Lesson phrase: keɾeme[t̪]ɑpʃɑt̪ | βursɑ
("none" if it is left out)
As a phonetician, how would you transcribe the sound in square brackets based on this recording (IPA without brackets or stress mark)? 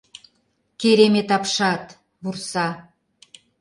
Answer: t̪